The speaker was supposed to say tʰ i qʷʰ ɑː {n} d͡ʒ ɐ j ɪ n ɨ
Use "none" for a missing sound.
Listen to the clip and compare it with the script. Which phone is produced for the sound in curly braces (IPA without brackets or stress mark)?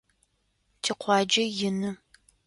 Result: none